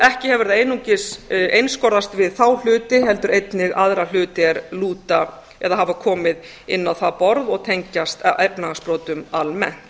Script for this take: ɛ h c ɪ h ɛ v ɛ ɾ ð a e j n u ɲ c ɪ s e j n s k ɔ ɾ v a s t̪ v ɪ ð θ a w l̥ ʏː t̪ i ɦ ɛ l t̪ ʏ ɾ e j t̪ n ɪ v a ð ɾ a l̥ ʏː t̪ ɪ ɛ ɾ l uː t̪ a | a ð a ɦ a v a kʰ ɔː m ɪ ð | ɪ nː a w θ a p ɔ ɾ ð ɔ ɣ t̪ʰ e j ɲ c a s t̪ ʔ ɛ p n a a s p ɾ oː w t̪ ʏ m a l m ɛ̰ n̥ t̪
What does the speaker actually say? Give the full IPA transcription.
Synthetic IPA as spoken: ɛ h c ɪ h ɛ v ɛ ɾ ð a e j n u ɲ c ɪ s e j n s k ɔ ɾ ð a s t̪ v ɪ ð θ a w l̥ ʏː t̪ ɪ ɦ ɛ l t̪ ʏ ɾ e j t̪ n ɪ ɣ a ð ɾ a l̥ ʏː t̪ ɪ ɛ ɾ l uː t̪ a | ɛ ð a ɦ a v a kʰ ɔː m ɪ ð | ɪ nː a w θ a p ɔ ɾ ð ɔ ɣ t̪ʰ e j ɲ c a s t̪ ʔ ɛ p n a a s p ɾ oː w t̪ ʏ m a l m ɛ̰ n̥ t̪